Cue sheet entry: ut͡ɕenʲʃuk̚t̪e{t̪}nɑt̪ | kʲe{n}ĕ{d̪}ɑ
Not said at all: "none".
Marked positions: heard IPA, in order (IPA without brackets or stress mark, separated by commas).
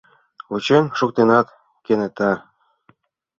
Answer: none, n, t̪